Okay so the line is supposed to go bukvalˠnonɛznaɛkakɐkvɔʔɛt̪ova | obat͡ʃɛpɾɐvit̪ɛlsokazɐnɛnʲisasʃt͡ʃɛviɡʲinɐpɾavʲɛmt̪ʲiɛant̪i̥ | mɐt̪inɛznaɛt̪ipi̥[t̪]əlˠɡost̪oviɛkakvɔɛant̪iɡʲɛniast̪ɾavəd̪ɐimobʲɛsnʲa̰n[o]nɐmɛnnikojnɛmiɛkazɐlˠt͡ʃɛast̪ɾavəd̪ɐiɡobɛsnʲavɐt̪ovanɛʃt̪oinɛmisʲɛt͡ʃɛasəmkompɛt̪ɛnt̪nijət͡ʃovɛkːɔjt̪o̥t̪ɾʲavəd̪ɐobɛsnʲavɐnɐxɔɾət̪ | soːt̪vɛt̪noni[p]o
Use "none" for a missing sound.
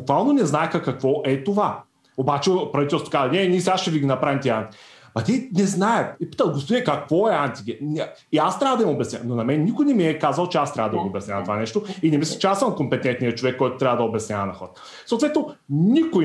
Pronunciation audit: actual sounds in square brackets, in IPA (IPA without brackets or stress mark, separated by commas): t̪, o, k